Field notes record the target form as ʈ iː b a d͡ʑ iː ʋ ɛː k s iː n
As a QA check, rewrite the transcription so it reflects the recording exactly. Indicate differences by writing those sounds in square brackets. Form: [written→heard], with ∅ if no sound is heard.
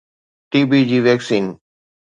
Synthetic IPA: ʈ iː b [a→i] d͡ʑ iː ʋ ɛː k s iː n